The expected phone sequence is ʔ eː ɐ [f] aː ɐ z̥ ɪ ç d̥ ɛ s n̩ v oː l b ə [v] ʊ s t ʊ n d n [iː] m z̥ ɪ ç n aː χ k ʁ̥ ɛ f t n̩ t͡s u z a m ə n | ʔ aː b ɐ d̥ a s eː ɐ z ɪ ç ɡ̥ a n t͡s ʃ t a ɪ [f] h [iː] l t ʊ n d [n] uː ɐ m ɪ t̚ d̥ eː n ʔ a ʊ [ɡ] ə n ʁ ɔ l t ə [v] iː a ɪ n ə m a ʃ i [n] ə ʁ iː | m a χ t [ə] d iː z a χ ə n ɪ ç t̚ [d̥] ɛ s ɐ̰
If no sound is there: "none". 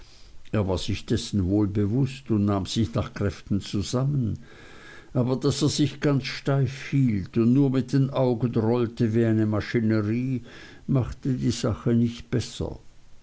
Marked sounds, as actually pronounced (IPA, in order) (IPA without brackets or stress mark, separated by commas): v, v, aː, f, iː, n, ɡ, v, n, ə, b̥